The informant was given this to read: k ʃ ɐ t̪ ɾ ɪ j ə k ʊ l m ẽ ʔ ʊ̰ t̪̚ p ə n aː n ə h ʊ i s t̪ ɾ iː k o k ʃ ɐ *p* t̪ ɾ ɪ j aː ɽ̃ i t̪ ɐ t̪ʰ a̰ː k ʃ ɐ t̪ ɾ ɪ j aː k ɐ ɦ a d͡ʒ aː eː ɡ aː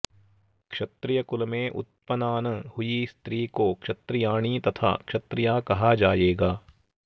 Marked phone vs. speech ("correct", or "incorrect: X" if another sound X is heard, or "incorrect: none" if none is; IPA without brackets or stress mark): incorrect: none